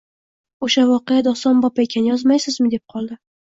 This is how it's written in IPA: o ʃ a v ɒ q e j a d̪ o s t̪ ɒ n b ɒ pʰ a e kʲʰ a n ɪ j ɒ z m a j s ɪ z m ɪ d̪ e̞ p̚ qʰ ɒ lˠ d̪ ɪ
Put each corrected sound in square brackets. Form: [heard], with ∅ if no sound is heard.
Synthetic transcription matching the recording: o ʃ a v ɒ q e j a d̪ [ɒ] s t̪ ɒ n b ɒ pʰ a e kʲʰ a n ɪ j ɒ z m a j s ɪ z m ɪ d̪ e̞ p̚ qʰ ɒ lˠ d̪ ɪ

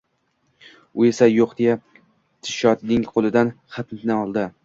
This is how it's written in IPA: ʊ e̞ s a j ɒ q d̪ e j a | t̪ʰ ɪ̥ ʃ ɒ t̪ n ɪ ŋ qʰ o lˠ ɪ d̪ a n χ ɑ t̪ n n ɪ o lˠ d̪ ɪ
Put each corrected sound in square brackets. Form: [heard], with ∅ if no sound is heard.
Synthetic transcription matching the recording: ʊ e̞ s a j [o] q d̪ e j a | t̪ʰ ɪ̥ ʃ ɒ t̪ n ɪ ŋ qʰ o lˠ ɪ d̪ a n χ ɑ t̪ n n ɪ [ɒ] lˠ d̪ ɪ

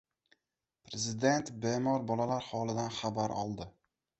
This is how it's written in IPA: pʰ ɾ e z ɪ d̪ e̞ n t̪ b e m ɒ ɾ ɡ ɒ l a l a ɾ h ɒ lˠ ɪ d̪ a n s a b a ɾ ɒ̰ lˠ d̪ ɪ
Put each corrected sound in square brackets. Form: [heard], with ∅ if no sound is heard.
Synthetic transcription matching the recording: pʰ ɾ e z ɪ d̪ e̞ n t̪ b e m ɒ ɾ [b] ɒ l a l a ɾ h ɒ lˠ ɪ d̪ a n [χ] a b a ɾ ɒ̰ lˠ d̪ ɪ

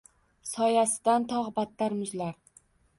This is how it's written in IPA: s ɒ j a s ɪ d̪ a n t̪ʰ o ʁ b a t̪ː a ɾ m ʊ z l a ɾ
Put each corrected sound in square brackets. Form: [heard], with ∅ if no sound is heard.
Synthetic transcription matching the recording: s ɒ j a s ɪ d̪ a n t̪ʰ [ɒ] ʁ b a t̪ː a ɾ m ʊ z l a ɾ

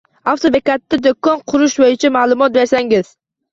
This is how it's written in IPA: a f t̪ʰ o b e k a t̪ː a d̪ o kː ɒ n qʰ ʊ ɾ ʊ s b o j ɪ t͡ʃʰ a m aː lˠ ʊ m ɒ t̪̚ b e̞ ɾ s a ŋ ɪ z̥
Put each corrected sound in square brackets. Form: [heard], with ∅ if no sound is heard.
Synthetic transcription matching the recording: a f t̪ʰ o b e k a t̪ː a d̪ o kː ɒ n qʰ ʊ ɾ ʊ [ʃ] b o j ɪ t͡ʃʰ a m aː lˠ ʊ m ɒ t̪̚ b e̞ ɾ s a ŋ ɪ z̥

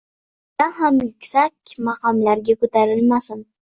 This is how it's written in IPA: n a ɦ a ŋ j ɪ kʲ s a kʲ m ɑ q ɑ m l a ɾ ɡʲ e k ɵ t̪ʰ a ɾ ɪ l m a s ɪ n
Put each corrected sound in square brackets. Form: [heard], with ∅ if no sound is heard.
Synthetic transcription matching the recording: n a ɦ a [m] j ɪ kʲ s a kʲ m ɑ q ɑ m l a ɾ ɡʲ [a] k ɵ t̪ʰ a ɾ ɪ l m a s ɪ n

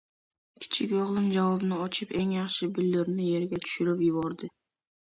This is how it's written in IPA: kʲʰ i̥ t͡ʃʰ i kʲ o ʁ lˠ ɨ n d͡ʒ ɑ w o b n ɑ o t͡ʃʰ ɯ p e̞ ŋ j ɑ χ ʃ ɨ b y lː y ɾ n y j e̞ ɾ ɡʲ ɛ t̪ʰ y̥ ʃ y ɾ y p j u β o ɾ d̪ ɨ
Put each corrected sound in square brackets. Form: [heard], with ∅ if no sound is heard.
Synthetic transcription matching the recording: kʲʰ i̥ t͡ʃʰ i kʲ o ʁ lˠ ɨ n d͡ʒ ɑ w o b n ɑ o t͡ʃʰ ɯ p e̞ ŋ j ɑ χ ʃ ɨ b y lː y ɾ n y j e̞ ɾ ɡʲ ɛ t̪ʰ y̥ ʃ y ɾ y p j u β o ɾ d̪ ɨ

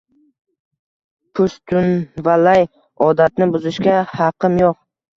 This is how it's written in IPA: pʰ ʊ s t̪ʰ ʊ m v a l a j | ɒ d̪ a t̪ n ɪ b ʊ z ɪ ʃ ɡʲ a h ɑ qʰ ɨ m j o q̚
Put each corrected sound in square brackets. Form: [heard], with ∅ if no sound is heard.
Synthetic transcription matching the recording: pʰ ʊ s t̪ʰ ʊ [n] v a l a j | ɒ d̪ a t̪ n ɪ b ʊ z ɪ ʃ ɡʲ a h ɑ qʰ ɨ m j o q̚

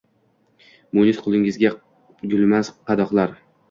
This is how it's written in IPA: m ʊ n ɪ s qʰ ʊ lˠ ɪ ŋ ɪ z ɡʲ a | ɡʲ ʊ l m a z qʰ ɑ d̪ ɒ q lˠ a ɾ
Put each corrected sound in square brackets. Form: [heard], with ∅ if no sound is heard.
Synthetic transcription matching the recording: m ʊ n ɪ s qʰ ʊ lˠ ɪ ŋ ɪ z ɡʲ a | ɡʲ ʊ l m a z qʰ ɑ d̪ ɒ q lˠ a ɾ

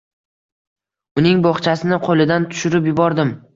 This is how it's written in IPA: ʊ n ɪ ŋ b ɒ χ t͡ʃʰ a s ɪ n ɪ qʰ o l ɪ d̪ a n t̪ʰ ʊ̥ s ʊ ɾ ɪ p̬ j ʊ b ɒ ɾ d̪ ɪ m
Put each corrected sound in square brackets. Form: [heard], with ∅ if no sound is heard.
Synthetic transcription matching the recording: ʊ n ɪ ŋ b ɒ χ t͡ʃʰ a s ɪ n ɪ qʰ o l ɪ d̪ a n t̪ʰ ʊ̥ [ʃ] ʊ ɾ ɪ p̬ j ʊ b ɒ ɾ d̪ ɪ m

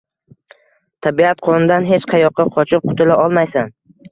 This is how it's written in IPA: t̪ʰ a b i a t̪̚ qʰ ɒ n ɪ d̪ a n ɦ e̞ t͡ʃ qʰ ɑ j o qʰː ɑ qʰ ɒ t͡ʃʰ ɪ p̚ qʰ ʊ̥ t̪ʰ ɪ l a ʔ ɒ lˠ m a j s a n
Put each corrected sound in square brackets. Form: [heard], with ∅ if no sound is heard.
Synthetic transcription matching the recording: t̪ʰ a b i a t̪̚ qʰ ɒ n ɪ d̪ a n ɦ e̞ t͡ʃ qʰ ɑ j [ɒ] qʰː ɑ qʰ ɒ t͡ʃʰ ɪ p̚ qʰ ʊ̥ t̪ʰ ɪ l a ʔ ɒ lˠ m a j s a n

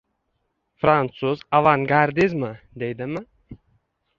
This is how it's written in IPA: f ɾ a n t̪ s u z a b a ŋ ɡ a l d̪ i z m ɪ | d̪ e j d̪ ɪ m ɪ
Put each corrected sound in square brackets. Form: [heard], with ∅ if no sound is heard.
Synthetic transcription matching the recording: f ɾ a n t̪ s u z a [v] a ŋ ɡ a [ɾ] d̪ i z m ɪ | d̪ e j d̪ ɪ m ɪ

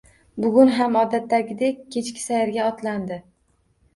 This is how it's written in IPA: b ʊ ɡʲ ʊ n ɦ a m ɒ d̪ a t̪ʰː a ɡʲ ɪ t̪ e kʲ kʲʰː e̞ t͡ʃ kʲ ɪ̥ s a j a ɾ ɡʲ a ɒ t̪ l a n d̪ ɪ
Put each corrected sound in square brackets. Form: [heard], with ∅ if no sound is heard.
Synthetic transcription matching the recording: b ʊ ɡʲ ʊ n ɦ a m ɒ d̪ a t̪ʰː a ɡʲ ɪ [d̪] e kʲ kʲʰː e̞ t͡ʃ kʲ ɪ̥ s a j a ɾ ɡʲ a ɒ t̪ l a n d̪ ɪ

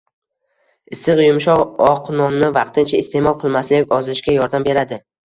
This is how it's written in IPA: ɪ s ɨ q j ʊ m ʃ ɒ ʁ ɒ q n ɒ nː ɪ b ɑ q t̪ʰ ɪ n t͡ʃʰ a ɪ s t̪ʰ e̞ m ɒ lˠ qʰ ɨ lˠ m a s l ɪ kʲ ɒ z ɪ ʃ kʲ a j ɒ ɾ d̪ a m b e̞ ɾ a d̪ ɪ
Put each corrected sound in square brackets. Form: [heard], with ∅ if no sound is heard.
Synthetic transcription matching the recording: ɪ s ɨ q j ʊ m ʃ ɒ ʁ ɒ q n ɒ nː ɪ [v] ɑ q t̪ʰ ɪ n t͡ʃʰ a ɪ s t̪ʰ e̞ m ɒ lˠ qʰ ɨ lˠ m a s l ɪ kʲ ɒ z ɪ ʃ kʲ a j ɒ ɾ d̪ a m b e̞ ɾ a d̪ ɪ

